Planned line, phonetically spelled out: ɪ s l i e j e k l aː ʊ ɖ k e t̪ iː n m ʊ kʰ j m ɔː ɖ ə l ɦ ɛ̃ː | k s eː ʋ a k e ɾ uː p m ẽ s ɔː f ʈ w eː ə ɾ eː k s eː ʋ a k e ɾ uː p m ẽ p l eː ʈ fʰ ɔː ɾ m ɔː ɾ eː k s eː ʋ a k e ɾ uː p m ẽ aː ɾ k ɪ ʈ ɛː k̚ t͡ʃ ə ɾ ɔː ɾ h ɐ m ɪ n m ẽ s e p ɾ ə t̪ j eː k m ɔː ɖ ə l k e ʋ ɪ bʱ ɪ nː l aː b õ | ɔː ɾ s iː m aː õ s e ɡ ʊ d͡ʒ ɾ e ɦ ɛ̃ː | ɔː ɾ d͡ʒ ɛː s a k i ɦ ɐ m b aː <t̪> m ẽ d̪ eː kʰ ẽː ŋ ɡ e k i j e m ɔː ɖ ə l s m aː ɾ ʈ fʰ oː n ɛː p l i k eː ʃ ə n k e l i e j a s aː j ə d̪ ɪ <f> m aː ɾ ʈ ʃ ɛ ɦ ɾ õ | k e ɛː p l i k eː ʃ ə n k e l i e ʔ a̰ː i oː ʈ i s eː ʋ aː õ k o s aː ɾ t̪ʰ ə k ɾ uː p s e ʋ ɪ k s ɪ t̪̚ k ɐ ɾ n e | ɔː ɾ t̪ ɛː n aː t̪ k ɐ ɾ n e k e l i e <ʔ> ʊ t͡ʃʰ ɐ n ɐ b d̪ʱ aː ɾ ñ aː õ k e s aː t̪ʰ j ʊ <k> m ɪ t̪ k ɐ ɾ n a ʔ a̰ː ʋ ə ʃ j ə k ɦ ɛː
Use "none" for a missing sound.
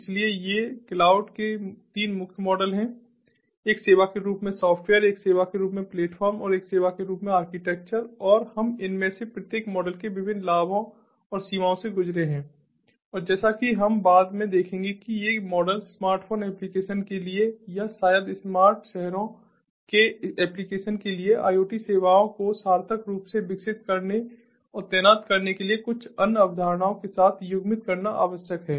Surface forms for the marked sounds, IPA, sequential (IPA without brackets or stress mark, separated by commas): d̪, s, k, ɡ